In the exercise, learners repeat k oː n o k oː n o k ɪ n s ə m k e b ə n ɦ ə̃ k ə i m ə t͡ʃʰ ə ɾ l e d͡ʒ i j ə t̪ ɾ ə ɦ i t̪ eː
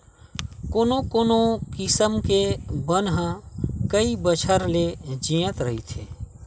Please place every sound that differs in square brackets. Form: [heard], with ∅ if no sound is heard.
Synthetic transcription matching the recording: k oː n o k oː n o k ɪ [∅] s ə m k e b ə n ɦ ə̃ k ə i [b] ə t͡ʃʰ ə ɾ l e d͡ʒ i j ə t̪ ɾ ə ɦ i [t̪ʰ] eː

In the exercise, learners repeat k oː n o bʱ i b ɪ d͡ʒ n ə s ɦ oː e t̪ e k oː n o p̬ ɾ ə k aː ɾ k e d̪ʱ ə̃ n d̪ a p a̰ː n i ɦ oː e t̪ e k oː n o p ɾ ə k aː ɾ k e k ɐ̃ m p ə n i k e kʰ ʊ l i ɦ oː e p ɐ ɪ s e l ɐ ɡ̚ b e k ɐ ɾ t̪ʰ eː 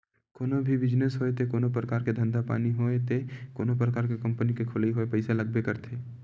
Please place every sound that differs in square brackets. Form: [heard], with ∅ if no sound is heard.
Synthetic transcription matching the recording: k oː n o bʱ i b ɪ d͡ʒ n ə s ɦ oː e t̪ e k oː n o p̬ ɾ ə k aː ɾ k e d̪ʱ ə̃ n d̪ a p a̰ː n i ɦ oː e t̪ e k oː n o p ɾ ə k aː ɾ k e k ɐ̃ m p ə n i k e kʰ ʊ l i ɦ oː e p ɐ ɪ s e l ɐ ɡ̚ b e k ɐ ɾ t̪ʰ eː

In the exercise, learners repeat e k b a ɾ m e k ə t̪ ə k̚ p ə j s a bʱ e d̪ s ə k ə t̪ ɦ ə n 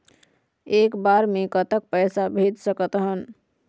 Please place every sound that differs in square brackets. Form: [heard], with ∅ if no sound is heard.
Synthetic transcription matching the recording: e k b a ɾ m e k ə t̪ ə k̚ p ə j s a bʱ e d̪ s ə k ə t̪ ɦ ə n

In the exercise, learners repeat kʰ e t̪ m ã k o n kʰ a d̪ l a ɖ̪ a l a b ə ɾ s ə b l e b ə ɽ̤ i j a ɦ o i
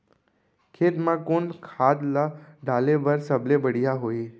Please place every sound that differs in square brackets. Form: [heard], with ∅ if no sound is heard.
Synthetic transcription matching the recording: kʰ e t̪ m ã k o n kʰ a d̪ l a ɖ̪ a l [e] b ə ɾ s ə b l e b ə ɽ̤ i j a ɦ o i

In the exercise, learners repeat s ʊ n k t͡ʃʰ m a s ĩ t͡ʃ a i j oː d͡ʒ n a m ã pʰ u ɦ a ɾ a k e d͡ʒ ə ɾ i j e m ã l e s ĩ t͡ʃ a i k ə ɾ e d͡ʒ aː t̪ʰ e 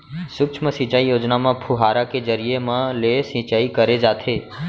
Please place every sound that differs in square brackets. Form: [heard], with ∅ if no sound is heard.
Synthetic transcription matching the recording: s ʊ [∅] k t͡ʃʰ m [ə] s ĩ t͡ʃ a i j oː d͡ʒ n a m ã pʰ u ɦ a ɾ a k e d͡ʒ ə ɾ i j e m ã l e s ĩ t͡ʃ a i k ə ɾ e d͡ʒ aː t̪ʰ e

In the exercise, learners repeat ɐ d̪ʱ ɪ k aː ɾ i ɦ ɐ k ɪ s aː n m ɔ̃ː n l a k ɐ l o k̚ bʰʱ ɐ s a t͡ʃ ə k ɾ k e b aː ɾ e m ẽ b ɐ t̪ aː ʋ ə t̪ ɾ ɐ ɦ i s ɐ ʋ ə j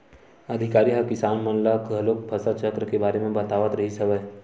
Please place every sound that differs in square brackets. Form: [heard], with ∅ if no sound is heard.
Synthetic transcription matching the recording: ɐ d̪ʱ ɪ k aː ɾ i ɦ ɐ k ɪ s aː n m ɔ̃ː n l a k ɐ l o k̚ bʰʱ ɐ s a t͡ʃ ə k ɾ k e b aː ɾ e m ẽ b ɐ t̪ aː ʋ ə t̪ ɾ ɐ ɦ i s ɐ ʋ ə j

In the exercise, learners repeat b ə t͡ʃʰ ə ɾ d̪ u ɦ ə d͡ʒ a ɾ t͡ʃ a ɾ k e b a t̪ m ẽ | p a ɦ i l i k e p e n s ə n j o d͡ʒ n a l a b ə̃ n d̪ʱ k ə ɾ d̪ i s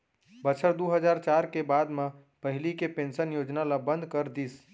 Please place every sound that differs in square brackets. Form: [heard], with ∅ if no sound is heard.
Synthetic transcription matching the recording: b ə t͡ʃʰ ə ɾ d̪ u ɦ ə d͡ʒ a ɾ t͡ʃ a ɾ k e b a [d̪] m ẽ | p [ə] ɦ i l i k e p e n s ə n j o d͡ʒ n a l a b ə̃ n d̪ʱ k ə ɾ d̪ i s

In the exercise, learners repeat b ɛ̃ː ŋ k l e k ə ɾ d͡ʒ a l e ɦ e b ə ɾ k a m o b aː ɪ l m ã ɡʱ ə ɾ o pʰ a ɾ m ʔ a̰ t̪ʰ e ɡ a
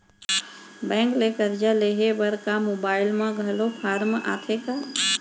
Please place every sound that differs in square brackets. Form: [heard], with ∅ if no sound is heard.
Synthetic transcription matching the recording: b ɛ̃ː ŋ k l e k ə ɾ d͡ʒ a l e ɦ e b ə ɾ k a m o b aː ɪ l m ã ɡʱ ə [l] o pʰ a ɾ m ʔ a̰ t̪ʰ e [k] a

